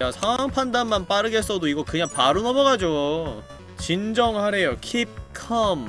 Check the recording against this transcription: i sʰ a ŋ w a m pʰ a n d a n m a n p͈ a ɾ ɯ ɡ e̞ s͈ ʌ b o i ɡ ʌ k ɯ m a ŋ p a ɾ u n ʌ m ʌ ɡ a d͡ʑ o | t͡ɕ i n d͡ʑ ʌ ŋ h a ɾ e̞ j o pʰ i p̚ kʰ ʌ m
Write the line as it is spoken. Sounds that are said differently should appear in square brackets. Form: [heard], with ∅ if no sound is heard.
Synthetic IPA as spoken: [a] sʰ a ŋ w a [ŋ] pʰ a n d a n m a n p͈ a ɾ ɯ ɡ e̞ s͈ ʌ [d] o i ɡ ʌ k ɯ [ɲ] a ŋ p a ɾ u n ʌ m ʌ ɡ a d͡ʑ o | t͡ɕ i n d͡ʑ ʌ ŋ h a ɾ e̞ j o [kʰ] i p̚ kʰ ʌ m